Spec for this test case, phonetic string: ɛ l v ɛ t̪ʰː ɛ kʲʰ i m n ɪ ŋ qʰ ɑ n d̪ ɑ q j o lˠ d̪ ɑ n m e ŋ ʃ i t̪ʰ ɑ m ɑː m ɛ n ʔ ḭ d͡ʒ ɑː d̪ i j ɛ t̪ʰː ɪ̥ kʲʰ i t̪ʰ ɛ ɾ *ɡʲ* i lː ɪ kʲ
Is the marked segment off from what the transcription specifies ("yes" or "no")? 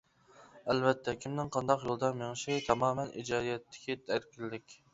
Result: yes